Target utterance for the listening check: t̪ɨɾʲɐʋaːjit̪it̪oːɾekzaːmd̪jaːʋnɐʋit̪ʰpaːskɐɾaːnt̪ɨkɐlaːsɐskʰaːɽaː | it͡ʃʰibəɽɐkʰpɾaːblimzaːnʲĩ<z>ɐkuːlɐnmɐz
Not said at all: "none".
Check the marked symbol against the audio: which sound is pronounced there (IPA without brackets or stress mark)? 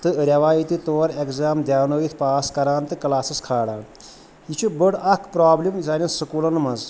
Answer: s